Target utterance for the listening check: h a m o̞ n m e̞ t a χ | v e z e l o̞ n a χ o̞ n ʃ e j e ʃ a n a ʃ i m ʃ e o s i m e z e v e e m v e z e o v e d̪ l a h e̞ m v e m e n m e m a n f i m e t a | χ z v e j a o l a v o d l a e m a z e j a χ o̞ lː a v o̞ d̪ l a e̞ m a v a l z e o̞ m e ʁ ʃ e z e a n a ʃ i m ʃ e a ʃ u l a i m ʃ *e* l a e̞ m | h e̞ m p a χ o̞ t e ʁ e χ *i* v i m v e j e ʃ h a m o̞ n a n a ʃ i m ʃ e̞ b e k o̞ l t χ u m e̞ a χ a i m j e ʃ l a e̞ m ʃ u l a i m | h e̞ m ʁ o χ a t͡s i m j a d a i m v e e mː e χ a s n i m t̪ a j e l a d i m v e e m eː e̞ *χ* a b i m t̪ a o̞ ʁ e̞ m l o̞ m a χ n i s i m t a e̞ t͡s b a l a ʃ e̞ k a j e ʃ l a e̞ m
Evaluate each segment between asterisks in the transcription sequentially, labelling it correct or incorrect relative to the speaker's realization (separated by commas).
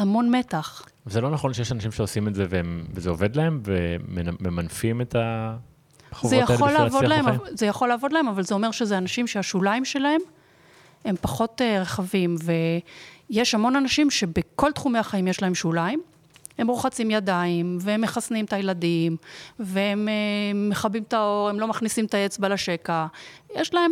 correct, incorrect, correct